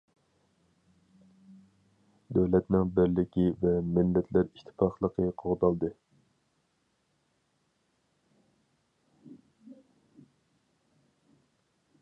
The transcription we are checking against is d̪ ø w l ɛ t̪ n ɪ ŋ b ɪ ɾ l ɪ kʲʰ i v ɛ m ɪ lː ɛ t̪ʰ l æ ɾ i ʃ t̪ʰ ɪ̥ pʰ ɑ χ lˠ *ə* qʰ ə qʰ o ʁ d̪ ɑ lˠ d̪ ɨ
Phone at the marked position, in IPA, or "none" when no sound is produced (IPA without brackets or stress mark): ə